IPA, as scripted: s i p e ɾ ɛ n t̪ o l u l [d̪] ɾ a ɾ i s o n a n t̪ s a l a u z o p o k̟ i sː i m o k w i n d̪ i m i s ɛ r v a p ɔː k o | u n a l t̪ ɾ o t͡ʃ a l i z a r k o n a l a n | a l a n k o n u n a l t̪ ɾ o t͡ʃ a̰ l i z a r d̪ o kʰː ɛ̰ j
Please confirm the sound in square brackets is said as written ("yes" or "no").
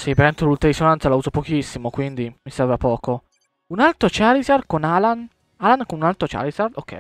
no